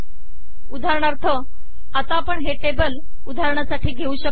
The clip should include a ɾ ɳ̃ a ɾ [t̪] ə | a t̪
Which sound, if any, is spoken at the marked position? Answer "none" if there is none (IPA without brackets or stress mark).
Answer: t̪ʰ